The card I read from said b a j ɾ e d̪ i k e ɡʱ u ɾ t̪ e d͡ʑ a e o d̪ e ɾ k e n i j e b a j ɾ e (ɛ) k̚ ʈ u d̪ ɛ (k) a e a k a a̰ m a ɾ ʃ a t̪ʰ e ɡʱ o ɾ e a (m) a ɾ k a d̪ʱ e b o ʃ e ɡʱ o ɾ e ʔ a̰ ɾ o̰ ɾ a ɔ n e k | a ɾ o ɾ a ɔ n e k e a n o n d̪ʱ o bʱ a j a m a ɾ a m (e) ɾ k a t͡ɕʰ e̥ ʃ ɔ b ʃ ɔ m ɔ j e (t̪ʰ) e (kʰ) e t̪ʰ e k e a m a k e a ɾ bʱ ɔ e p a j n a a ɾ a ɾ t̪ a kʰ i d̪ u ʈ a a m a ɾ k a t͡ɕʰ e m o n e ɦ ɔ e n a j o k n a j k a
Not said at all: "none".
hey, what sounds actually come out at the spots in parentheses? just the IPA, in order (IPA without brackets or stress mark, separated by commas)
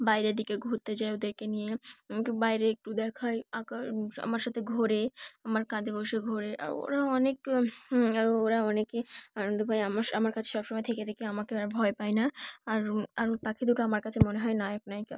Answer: e, kʰ, m, a, t̪ʰ, k